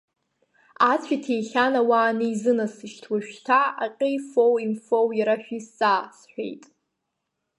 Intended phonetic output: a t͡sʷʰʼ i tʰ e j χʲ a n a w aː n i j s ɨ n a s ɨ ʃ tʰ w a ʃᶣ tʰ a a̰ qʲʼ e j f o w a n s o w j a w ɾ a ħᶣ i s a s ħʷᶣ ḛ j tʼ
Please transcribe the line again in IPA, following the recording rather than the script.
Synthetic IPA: a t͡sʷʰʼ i tʰ e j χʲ a n a w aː n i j z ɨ n a s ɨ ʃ tʰ w a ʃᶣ tʰ a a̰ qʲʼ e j f o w i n f o w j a ɾ a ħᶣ i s a s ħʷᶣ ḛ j tʼ